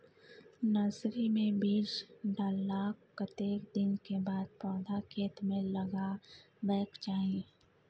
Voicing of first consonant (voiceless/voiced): voiced